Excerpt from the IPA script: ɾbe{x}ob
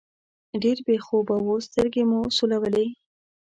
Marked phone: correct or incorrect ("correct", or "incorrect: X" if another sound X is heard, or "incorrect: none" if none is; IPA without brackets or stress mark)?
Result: correct